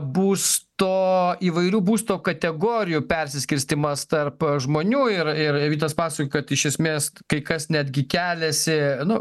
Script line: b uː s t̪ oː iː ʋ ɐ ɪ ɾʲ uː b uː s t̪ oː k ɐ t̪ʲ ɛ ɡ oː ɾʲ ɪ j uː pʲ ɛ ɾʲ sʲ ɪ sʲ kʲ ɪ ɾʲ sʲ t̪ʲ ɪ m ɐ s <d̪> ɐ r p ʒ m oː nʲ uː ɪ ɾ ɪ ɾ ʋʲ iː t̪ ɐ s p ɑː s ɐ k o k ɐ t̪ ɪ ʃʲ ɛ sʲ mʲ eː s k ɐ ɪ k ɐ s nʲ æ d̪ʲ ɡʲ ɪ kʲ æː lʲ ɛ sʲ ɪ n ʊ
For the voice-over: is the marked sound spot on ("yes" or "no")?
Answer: no